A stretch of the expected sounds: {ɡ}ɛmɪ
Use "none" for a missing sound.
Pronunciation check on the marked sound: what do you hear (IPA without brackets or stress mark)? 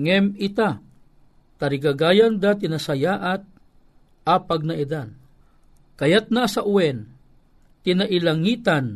ŋ